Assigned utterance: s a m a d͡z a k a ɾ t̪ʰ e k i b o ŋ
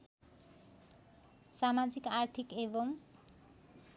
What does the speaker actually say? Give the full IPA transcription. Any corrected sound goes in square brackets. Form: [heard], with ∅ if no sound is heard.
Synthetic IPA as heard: s a m a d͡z [i] k a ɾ t̪ʰ [i] k [e] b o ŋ